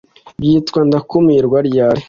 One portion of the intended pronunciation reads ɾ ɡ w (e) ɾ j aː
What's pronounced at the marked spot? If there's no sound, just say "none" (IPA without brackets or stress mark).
a